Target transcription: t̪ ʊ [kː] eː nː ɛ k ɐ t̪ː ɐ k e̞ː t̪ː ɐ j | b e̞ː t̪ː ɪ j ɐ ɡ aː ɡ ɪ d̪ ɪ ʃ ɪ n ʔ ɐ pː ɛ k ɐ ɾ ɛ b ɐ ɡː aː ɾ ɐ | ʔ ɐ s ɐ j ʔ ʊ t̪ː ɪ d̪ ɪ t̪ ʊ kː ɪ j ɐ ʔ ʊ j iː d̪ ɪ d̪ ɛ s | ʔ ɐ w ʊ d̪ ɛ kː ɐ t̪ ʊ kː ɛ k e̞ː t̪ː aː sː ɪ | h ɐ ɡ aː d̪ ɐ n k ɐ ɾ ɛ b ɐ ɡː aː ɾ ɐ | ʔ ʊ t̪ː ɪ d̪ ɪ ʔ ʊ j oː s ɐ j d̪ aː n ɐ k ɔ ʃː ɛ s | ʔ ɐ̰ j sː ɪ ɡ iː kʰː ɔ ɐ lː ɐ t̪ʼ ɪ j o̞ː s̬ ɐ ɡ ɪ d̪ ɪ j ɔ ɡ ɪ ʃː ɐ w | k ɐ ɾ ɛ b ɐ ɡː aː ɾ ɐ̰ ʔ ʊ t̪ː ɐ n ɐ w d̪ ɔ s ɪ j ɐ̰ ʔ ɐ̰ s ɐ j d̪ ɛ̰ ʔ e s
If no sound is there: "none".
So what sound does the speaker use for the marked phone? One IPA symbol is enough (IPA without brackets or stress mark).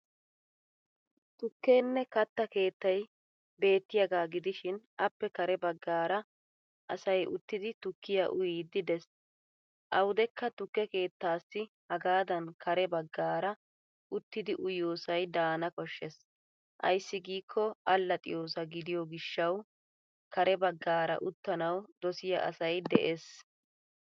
kː